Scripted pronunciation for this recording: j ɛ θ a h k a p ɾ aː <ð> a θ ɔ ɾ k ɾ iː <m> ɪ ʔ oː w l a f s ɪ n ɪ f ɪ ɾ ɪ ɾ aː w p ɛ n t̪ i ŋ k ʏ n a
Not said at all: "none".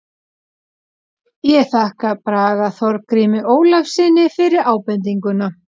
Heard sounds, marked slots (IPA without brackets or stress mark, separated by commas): ɣ, m